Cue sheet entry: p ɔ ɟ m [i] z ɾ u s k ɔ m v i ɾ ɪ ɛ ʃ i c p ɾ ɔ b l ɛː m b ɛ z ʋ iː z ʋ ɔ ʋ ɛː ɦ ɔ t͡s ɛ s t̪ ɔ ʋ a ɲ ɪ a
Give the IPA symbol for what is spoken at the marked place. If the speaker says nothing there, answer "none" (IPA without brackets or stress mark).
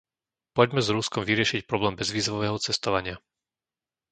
ɛ